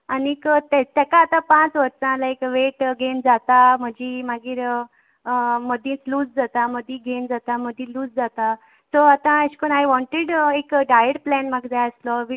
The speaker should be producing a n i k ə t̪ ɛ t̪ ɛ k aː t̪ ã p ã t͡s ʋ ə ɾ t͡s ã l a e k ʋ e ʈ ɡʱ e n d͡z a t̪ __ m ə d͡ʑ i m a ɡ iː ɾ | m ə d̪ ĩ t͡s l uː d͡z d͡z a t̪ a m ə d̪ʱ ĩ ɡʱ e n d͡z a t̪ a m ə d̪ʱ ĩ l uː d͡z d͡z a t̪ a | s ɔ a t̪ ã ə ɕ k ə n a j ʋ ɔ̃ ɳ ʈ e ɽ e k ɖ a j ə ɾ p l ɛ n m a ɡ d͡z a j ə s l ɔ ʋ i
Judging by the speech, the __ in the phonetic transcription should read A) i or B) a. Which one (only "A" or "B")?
B